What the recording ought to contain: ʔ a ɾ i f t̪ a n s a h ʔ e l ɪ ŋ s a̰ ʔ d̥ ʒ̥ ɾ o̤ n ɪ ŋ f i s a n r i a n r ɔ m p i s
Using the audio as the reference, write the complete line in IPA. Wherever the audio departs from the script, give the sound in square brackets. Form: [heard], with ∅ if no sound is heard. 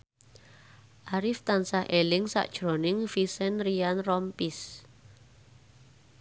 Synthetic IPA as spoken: ʔ a ɾ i f t̪ a n s a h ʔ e l ɪ ŋ s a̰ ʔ d̥ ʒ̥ ɾ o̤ n ɪ ŋ f i s [ɛ] n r i a n r ɔ m p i s